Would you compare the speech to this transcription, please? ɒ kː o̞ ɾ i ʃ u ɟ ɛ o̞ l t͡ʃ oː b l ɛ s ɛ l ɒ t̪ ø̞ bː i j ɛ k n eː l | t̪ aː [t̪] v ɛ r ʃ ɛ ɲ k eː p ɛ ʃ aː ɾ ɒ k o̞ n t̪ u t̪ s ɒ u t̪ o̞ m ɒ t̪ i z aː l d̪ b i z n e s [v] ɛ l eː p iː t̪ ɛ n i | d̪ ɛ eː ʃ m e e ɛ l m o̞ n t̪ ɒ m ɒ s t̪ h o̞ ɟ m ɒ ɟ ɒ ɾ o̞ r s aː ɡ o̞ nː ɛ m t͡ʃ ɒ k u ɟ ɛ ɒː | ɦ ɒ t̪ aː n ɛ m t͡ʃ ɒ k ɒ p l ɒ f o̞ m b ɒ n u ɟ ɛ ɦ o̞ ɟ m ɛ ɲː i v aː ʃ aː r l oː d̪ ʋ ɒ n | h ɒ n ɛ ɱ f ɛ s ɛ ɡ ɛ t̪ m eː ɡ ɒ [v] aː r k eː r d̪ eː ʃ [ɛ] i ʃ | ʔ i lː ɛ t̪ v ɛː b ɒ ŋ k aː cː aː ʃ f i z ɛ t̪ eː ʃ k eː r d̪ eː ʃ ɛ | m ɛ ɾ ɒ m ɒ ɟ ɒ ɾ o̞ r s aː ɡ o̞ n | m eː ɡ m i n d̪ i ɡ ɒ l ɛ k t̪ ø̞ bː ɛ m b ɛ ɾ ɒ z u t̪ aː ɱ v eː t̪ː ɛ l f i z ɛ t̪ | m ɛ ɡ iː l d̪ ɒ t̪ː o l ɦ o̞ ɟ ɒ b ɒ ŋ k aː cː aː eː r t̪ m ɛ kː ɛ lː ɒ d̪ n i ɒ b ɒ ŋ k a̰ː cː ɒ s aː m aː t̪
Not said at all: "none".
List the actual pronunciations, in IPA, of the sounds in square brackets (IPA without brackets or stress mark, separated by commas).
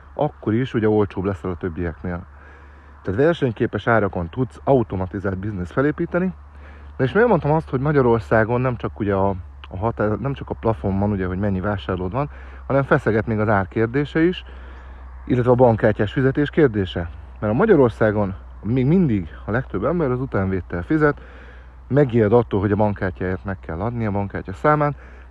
t̪, f, z, ɛ